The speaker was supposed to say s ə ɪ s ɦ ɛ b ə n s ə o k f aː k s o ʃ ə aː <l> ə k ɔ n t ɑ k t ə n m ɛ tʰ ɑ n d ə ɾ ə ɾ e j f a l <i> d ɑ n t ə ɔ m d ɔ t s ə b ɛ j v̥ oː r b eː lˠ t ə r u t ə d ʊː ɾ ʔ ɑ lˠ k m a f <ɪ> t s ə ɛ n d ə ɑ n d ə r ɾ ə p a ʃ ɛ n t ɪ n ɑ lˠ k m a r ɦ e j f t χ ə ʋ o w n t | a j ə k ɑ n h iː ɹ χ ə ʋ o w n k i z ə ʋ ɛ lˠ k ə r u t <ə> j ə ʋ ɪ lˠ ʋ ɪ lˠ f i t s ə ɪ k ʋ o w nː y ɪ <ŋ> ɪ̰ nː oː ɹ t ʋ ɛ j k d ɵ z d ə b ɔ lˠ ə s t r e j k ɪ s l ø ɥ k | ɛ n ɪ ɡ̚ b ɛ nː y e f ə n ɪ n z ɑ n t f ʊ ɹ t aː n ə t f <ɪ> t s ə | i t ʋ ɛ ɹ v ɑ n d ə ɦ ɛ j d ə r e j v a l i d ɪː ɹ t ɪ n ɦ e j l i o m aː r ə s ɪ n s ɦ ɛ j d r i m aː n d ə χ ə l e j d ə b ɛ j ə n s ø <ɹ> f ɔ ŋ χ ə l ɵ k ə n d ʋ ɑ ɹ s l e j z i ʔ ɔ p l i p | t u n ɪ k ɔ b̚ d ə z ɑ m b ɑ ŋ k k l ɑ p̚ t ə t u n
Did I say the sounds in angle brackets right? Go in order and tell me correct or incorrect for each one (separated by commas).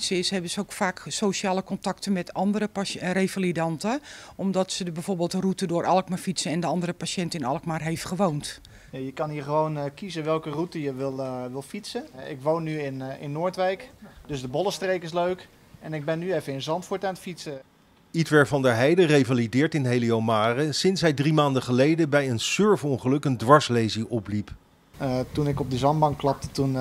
correct, correct, incorrect, correct, incorrect, incorrect, correct